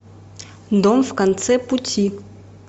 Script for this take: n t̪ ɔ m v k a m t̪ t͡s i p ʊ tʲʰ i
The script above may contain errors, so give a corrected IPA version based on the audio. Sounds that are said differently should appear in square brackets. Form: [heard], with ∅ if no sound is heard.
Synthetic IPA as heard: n [d̪] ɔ m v k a [n] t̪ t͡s [ɛ] p [u] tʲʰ i